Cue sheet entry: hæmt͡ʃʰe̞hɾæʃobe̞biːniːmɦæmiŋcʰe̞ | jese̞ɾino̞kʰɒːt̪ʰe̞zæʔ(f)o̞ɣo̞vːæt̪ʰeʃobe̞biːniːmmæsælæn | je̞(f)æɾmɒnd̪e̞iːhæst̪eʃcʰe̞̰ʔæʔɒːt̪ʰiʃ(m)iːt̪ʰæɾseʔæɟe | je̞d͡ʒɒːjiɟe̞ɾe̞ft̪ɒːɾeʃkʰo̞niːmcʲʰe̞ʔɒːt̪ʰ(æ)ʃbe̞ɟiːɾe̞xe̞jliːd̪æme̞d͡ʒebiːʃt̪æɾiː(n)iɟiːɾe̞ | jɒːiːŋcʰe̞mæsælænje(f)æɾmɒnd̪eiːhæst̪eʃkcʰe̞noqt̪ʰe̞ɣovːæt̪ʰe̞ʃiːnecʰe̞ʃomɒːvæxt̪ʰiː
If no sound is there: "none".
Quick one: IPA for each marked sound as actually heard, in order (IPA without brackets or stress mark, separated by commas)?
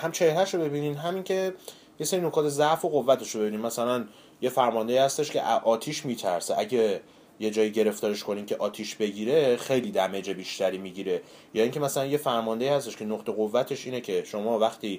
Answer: f, f, m, i, m, f